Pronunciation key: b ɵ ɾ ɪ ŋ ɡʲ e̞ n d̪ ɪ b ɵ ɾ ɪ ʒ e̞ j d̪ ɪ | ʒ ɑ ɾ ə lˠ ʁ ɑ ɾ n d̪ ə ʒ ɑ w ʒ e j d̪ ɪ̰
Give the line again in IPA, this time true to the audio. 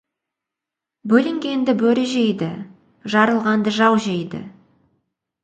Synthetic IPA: b ɵ l ɪ ŋ ɡʲ e̞ n d̪ ɪ b ɵ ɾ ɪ ʒ e̞ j d̪ ɪ | ʒ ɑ ɾ ə lˠ ʁ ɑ n d̪ ə ʒ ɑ w ʒ e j d̪ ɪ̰

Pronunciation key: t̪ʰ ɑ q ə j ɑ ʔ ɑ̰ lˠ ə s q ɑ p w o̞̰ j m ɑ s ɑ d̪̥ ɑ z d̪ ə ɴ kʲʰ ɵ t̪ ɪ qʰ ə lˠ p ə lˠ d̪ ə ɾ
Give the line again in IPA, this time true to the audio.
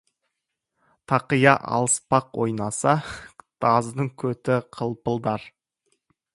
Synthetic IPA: t̪ʰ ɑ q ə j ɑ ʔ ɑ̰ lˠ ə s p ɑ q w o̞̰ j n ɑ s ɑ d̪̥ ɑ z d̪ ə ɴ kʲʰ ɵ t̪ ɪ qʰ ə lˠ p ə lˠ d̪ ɑ ɾ

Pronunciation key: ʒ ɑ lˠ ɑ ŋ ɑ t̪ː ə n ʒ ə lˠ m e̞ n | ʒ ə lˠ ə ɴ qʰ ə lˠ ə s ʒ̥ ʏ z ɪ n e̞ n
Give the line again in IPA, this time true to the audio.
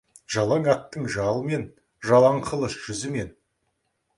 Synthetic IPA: ʒ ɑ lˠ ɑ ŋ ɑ t̪ː ə ɴ ʒ ɑ lˠ m e̞ n | ʒ ɑ lˠ ɑ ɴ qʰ ə lˠ ə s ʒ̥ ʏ z ɪ m e̞ n

